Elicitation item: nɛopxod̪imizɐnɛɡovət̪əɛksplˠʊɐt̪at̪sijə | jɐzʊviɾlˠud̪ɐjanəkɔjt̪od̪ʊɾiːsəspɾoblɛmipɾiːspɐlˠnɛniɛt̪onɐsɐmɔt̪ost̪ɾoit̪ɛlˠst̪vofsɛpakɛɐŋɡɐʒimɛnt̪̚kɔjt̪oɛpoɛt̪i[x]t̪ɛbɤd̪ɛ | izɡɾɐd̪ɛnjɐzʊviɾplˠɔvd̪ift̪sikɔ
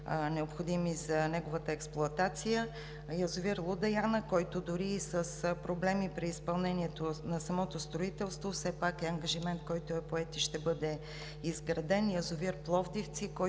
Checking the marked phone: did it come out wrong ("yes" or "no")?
yes